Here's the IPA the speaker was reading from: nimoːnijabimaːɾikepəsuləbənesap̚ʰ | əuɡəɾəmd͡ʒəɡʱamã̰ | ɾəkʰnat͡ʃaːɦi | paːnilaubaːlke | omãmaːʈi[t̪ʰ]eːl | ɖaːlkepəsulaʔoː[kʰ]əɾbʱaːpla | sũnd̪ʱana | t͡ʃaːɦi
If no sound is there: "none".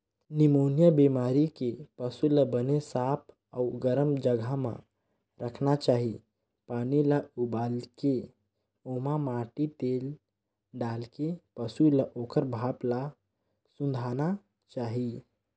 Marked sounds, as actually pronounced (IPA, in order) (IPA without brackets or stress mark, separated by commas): t̪, k